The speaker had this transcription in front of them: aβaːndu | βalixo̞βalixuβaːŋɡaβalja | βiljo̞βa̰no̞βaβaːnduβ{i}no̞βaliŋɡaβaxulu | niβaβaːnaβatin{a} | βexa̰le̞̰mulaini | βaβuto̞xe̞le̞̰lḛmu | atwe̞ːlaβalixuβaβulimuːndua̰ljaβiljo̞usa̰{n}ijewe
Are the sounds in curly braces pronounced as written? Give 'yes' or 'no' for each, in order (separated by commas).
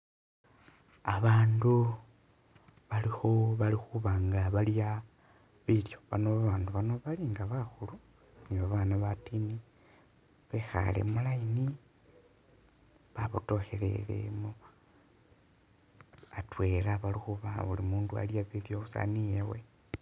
no, no, yes